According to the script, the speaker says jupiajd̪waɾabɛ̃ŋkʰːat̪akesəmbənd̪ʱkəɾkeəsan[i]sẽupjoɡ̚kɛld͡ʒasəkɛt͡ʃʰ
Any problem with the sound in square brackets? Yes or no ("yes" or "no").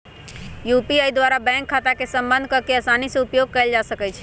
no